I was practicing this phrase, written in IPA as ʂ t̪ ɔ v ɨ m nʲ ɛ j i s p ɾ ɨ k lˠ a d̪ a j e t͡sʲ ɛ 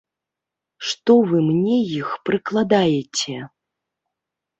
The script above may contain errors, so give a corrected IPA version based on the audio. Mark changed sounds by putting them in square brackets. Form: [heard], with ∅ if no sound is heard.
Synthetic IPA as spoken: ʂ t̪ ɔ v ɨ m nʲ ɛ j i [x] p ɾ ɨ k lˠ a d̪ a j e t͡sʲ ɛ